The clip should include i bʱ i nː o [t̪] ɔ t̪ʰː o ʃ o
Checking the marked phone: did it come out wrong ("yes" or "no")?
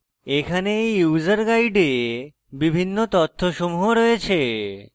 no